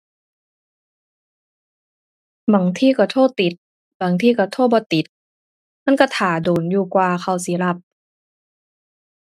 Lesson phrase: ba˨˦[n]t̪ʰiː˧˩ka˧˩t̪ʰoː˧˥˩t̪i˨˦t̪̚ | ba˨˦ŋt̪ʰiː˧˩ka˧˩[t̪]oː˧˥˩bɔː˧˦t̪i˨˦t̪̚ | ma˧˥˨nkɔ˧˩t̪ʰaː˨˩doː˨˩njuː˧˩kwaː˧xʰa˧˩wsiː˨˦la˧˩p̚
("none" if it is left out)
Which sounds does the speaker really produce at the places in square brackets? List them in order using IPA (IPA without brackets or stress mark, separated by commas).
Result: ŋ, t̪ʰ